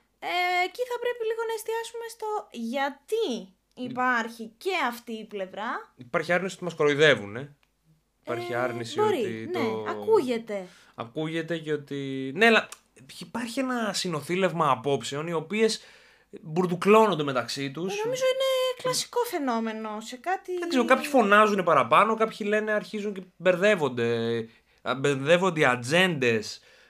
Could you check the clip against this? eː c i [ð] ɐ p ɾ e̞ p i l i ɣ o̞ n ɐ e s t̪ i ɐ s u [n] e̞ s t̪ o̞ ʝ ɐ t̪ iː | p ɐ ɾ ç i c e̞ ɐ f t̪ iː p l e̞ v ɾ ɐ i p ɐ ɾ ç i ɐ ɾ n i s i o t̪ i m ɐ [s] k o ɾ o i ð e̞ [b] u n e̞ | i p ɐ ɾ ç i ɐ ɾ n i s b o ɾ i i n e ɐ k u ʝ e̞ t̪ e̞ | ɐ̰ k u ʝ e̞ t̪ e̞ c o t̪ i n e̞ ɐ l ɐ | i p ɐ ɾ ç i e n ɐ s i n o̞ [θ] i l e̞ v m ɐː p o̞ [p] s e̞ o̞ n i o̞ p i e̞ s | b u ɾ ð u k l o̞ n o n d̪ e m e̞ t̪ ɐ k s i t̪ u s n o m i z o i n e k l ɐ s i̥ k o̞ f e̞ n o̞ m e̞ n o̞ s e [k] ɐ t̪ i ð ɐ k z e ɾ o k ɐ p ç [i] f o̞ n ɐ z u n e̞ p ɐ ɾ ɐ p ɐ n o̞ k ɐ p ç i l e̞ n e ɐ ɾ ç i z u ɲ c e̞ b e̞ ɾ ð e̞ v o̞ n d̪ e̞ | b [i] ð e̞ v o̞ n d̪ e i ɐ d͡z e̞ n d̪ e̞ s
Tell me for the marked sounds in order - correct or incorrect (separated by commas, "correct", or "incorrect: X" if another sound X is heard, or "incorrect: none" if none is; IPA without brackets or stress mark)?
incorrect: θ, incorrect: m, correct, incorrect: v, correct, correct, correct, correct, incorrect: e